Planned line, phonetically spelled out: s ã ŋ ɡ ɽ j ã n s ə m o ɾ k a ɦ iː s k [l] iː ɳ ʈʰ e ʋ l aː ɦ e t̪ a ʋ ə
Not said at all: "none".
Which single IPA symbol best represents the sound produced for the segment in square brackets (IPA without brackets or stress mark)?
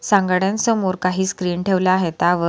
ɾ